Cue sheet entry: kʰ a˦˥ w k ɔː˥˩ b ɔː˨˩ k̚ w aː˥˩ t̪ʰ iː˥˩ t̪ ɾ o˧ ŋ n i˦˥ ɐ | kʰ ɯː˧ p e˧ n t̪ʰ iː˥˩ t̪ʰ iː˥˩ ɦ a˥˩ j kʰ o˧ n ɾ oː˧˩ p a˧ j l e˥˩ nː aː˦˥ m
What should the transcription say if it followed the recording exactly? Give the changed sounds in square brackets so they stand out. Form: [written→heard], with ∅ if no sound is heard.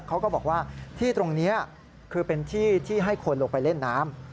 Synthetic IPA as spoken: kʰ a˦˥ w k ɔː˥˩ b ɔː˨˩ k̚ w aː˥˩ t̪ʰ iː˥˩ t̪ ɾ o˧ ŋ n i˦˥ ɐ | kʰ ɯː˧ p e˧ n t̪ʰ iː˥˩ t̪ʰ iː˥˩ ɦ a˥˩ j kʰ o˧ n [ɾ→l] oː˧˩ p a˧ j l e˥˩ nː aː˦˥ m